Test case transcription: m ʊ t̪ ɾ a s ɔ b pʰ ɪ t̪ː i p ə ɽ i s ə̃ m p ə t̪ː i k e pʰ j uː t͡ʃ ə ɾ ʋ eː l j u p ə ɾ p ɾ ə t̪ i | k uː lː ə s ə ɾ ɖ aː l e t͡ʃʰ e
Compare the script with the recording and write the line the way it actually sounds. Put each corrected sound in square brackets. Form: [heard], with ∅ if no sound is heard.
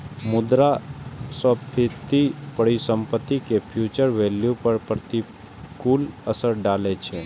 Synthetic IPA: m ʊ [d̪] ɾ a s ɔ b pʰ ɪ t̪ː i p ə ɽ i s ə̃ m p ə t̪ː i k e pʰ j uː t͡ʃ ə ɾ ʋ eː l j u p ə ɾ p ɾ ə t̪ i | k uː [l] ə s ə ɾ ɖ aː l e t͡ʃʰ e